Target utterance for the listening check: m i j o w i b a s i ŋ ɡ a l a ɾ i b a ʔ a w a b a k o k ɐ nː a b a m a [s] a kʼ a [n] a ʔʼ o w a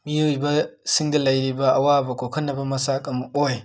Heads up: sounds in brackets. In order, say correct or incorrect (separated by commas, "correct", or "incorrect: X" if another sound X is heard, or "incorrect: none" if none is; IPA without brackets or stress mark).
correct, incorrect: m